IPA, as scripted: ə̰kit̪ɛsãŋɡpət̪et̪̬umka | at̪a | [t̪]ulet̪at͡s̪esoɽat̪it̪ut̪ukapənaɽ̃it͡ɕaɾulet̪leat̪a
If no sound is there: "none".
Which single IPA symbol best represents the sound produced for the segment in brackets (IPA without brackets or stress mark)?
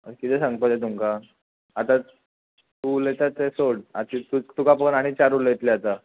t̪